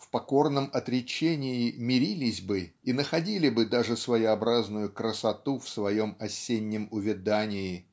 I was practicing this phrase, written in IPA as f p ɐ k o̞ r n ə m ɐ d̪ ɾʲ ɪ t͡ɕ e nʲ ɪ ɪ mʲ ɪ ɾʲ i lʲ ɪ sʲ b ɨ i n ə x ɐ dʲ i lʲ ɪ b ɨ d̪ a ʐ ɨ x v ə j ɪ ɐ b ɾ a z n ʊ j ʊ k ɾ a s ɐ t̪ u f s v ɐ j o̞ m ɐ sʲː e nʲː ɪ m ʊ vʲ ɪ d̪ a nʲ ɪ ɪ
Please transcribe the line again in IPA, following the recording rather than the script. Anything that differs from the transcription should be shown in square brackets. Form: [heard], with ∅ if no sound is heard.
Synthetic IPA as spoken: f p ɐ k o̞ r n ə m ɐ [t̪] ɾʲ ɪ t͡ɕ e nʲ ɪ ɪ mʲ ɪ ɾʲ i lʲ ɪ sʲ b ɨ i n ə x ɐ dʲ i lʲ ɪ b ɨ d̪ a ʐ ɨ [s] v ə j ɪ ɐ b ɾ a z n ʊ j ʊ k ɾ [ə] s ɐ t̪ u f s v ɐ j o̞ m ɐ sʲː e nʲː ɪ m ʊ vʲ ɪ d̪ a nʲ ɪ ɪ